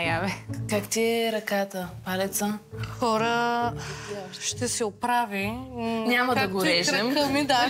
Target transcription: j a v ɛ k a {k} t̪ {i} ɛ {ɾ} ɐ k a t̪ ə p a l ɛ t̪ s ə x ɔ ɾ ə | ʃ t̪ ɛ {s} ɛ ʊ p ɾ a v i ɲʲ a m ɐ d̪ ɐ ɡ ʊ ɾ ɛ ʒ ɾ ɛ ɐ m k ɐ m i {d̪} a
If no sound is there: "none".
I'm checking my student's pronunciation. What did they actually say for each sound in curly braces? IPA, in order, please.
k, i, ɾ, s, d̪

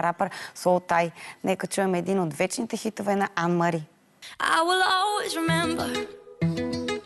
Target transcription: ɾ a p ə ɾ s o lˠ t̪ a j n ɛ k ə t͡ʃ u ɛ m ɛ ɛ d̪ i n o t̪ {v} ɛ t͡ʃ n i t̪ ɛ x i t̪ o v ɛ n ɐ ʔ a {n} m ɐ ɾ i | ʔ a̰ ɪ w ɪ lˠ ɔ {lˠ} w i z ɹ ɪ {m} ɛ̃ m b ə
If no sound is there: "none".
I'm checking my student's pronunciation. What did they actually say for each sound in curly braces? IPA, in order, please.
v, n, lˠ, m

